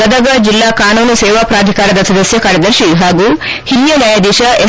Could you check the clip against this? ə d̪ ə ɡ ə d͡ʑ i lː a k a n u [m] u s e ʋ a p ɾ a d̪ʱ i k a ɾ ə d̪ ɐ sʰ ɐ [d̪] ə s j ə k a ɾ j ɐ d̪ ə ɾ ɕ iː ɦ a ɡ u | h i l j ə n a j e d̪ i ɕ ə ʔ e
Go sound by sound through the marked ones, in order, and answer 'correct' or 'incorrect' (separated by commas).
incorrect, correct